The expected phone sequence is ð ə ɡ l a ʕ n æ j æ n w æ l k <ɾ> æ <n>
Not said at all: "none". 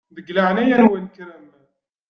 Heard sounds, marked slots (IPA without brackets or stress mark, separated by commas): ɾ, m